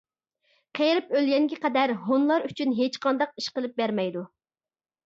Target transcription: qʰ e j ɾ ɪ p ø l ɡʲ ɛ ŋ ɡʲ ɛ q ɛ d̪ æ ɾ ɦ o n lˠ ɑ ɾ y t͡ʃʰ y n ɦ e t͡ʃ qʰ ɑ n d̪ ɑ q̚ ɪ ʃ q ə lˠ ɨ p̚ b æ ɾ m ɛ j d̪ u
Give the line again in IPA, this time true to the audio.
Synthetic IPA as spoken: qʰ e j ɾ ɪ p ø l ɡʲ ɛ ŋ ɡʲ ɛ q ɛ d̪ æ ɾ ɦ o n lˠ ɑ ɾ y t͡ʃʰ y n ɦ e t͡ʃ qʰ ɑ n d̪ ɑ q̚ i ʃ q ə lˠ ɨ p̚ b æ ɾ m ɛ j d̪ u